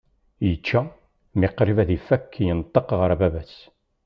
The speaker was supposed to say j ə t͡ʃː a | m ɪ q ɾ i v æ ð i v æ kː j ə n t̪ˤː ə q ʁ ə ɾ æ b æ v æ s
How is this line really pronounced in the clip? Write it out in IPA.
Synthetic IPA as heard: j ə t͡ʃː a | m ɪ q ɾ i v æ ð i f æ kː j ə n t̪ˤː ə q ʁ ə ɾ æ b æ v æ s